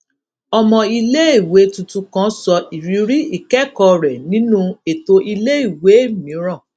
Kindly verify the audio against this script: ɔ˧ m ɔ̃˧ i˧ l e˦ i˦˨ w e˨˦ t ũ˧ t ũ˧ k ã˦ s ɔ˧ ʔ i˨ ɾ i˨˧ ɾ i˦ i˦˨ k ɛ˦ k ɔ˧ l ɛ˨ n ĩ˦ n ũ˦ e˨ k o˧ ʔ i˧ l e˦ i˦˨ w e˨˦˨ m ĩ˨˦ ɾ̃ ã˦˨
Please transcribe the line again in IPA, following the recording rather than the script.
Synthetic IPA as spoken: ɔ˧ m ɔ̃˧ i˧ l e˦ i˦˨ w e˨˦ t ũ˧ t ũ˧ k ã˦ s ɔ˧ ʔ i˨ ɾ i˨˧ ɾ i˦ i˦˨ k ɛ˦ k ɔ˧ ɾ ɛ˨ n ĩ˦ n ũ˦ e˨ t o˧ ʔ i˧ l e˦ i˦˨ w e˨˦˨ m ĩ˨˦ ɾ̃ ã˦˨